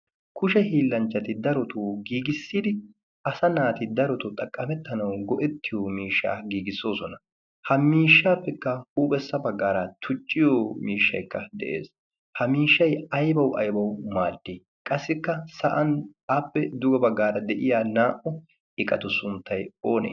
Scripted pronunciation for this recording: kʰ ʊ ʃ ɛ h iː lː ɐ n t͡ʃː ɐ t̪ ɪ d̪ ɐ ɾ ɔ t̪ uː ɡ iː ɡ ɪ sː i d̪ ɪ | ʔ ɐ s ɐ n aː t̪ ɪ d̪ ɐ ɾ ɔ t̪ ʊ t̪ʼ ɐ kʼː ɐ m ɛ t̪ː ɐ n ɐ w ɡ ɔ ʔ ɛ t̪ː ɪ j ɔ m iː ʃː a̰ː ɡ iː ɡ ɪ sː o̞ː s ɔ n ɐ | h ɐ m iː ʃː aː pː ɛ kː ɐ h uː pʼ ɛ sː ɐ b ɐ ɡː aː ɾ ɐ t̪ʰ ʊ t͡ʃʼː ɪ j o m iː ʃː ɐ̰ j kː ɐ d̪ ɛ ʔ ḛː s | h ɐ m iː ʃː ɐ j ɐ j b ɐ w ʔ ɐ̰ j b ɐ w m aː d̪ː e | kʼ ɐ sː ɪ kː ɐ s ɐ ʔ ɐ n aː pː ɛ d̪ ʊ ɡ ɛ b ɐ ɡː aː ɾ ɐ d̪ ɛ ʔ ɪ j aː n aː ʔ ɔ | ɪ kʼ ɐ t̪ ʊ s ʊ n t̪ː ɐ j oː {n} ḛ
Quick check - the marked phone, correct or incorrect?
correct